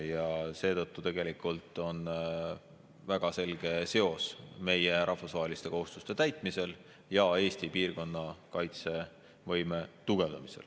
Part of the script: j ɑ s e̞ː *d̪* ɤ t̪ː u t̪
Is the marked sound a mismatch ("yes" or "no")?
yes